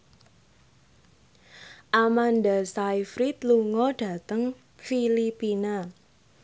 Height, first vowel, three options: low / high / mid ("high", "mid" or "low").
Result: low